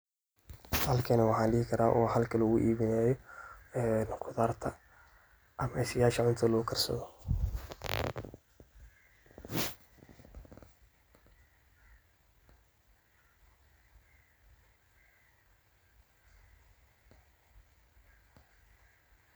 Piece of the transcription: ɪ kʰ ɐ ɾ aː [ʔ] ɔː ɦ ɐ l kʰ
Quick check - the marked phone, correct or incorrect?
correct